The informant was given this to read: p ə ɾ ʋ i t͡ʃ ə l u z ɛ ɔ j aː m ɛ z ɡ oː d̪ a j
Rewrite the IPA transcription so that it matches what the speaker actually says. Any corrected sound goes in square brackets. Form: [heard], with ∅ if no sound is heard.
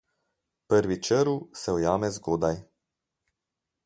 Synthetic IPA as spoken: p ə ɾ ʋ i t͡ʃ ə [ɾ] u [s] ɛ ɔ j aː m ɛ z ɡ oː d̪ a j